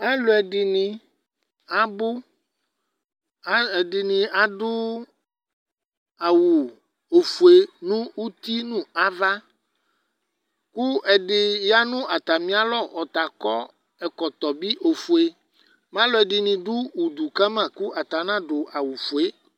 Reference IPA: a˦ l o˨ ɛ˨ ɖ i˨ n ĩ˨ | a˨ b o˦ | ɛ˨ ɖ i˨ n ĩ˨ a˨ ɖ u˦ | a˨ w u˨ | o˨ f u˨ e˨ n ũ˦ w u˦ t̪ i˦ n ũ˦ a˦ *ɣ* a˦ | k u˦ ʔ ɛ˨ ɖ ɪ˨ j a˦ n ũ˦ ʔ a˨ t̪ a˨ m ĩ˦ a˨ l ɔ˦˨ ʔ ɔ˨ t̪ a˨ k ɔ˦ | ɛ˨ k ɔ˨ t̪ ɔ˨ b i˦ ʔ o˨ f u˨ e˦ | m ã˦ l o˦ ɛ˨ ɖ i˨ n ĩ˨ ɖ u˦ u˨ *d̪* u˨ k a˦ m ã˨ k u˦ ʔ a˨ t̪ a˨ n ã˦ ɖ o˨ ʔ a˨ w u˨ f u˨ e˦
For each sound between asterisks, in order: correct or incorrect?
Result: incorrect, correct

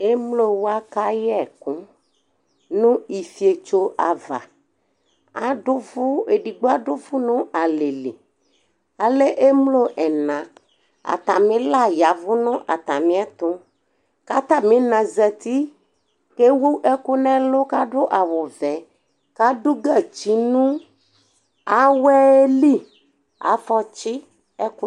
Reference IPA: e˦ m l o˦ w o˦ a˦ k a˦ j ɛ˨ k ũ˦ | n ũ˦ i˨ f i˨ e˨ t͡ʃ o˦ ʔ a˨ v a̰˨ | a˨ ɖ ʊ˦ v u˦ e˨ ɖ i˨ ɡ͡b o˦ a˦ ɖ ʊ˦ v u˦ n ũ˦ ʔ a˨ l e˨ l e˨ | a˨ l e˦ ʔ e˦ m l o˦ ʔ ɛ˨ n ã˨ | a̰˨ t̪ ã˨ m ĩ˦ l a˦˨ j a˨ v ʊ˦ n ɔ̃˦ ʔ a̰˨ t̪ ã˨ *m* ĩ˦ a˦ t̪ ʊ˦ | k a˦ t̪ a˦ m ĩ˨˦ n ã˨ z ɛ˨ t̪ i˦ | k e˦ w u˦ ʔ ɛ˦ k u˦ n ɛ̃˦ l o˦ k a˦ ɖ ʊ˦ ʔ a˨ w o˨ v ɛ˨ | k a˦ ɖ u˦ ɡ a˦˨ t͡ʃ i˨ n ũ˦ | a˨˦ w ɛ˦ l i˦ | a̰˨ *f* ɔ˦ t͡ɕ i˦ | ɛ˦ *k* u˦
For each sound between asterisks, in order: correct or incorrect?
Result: correct, correct, correct

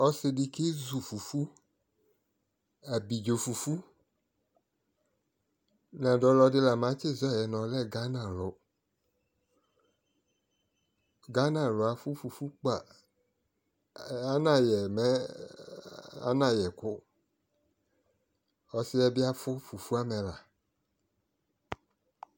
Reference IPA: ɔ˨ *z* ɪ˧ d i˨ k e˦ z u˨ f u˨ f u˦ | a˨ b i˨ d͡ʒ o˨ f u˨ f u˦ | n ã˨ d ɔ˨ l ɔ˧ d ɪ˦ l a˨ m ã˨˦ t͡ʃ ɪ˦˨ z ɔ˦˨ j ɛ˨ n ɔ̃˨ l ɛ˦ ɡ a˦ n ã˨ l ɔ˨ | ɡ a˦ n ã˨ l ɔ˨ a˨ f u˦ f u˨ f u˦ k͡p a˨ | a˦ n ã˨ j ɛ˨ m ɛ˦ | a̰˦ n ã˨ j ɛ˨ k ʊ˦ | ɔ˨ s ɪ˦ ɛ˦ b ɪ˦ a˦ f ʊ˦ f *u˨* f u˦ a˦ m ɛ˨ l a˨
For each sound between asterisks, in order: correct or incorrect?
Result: incorrect, correct

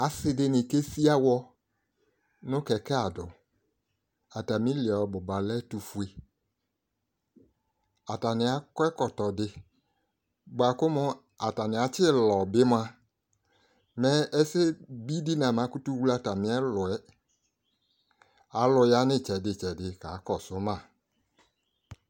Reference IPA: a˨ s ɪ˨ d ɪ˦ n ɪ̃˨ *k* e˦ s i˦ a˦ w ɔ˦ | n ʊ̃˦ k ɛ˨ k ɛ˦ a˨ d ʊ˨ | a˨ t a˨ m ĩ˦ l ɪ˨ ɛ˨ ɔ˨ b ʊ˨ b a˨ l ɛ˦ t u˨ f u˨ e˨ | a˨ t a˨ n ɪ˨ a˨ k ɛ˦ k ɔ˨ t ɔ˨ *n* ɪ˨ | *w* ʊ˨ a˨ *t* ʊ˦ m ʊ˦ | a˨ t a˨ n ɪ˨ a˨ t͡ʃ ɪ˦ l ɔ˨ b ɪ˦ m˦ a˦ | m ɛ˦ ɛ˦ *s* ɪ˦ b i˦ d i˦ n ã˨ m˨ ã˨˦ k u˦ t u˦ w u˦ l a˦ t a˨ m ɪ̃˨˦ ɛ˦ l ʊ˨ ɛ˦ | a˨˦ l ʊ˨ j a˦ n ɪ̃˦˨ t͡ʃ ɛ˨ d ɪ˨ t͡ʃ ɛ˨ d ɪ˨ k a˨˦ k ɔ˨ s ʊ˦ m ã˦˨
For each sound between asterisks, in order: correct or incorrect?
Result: correct, incorrect, incorrect, incorrect, correct

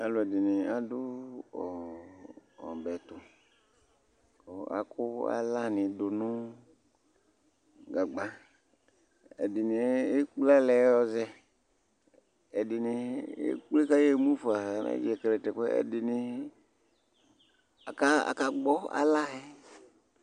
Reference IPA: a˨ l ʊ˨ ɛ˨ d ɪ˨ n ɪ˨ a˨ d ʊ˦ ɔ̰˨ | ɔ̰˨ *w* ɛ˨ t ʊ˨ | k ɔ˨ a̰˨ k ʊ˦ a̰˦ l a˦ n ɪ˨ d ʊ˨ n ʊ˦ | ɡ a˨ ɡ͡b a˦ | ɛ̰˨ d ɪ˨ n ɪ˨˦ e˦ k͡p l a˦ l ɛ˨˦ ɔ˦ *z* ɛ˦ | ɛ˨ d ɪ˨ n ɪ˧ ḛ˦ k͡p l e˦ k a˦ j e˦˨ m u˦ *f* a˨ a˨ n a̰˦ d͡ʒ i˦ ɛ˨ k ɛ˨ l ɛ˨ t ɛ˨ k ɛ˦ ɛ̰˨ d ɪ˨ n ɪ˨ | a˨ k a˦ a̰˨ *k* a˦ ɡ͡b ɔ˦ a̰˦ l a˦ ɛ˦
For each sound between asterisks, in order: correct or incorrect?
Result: incorrect, correct, correct, correct

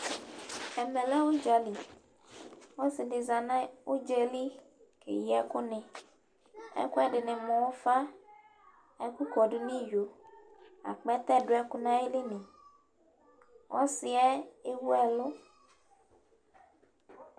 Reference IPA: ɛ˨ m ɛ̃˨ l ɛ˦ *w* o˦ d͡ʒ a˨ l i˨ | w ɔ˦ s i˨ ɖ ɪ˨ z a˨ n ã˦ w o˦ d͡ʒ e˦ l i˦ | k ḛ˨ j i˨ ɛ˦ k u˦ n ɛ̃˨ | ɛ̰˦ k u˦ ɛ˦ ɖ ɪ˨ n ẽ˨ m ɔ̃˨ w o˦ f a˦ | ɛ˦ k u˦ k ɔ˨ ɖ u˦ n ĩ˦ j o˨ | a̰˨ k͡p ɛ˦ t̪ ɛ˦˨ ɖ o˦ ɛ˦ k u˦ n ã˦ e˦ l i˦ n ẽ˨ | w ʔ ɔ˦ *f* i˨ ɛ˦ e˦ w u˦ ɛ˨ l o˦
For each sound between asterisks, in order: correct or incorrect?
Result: correct, incorrect

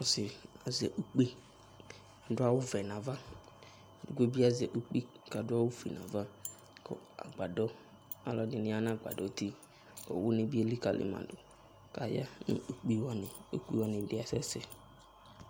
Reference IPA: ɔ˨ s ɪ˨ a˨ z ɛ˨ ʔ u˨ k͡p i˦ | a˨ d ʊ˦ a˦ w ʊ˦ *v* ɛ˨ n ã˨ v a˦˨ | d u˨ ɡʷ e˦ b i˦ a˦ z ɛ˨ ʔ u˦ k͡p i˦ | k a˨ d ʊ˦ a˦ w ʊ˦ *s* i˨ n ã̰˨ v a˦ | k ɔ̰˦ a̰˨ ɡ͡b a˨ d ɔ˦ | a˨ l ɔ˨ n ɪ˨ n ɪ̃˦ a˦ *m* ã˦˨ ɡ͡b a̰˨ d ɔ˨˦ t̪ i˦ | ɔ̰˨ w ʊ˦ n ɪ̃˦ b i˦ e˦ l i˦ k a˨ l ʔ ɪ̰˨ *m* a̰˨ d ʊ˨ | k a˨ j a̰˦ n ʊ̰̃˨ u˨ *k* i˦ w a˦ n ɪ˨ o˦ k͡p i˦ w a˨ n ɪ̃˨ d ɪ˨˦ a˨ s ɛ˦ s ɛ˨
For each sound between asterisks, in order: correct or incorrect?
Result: correct, incorrect, incorrect, correct, incorrect

